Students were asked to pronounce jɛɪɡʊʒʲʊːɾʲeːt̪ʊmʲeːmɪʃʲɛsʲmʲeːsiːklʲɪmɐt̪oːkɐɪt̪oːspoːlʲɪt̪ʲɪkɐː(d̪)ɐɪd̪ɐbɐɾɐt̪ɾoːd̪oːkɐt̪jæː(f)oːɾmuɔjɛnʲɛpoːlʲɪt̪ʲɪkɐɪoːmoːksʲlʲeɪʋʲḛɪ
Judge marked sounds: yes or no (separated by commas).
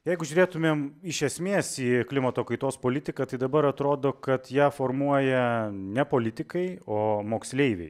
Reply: no, yes